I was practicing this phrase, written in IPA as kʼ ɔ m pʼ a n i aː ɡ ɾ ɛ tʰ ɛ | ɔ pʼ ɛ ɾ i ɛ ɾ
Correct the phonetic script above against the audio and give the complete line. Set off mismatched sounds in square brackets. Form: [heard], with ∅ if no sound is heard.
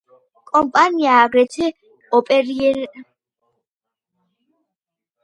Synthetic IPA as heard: kʼ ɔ m pʼ a n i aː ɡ ɾ ɛ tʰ ɛ | ɔ pʼ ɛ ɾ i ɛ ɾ